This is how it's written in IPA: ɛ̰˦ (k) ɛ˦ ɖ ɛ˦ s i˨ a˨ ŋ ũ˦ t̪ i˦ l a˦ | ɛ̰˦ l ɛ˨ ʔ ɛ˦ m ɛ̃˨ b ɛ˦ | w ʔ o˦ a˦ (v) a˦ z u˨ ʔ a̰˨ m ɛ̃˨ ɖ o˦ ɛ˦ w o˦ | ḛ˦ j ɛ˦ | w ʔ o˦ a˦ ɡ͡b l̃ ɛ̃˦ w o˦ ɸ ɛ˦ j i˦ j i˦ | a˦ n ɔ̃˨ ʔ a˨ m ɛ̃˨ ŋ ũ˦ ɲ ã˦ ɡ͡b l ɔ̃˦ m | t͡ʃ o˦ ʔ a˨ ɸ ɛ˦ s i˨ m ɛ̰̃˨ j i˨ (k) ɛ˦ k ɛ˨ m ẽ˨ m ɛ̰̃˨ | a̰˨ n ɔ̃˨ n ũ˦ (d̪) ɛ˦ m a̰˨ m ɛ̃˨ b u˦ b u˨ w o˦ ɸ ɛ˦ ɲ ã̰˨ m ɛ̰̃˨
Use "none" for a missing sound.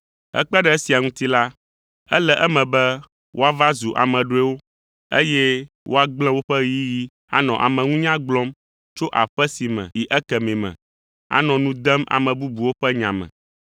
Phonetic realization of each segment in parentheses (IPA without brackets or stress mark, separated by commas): k͡p, v, ʔ, d̪